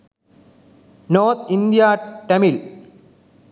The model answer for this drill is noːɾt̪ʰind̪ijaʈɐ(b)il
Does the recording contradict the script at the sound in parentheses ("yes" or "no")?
yes